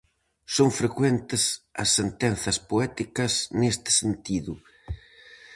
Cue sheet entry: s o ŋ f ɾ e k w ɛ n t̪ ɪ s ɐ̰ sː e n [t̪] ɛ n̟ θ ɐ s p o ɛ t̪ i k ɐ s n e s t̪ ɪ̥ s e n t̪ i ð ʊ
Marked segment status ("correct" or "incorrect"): correct